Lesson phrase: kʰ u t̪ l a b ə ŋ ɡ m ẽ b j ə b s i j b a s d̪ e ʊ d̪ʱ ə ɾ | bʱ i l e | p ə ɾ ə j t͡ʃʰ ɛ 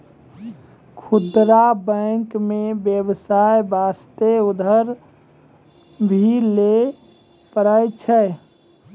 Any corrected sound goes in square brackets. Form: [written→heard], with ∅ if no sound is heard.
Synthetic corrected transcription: kʰ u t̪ [l→ɾ] a b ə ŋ [ɡ→k] m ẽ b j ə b s [i→a] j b a s [d̪→t̪] e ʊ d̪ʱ ə ɾ | bʱ i l e | p ə ɾ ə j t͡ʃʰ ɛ